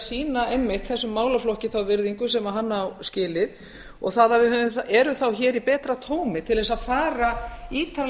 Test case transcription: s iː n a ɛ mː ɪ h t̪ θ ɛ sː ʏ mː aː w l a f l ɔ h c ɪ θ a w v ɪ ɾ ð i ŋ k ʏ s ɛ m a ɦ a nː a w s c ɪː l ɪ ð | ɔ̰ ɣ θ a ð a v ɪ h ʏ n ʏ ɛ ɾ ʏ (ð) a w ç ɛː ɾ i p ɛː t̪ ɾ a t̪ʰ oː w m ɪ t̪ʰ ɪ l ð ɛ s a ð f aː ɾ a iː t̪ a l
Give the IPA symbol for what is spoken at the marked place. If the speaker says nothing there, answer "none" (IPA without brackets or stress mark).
θ